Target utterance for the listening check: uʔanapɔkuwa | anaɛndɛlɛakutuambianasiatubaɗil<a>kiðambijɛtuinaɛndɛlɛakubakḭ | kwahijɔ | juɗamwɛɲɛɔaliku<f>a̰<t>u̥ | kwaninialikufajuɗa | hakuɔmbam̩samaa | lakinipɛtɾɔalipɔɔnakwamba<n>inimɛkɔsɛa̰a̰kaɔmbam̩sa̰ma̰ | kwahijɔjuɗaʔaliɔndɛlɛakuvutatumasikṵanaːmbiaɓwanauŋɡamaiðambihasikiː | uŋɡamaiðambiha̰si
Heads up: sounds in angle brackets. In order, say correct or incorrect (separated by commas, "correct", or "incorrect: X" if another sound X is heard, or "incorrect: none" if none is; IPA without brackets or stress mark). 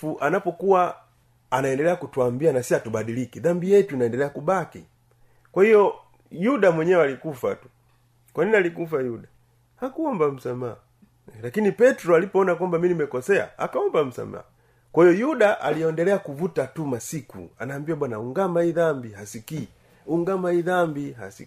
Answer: incorrect: i, correct, correct, incorrect: m